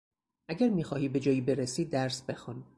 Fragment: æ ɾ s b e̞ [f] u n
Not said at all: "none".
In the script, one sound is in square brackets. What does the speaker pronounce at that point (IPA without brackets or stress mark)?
x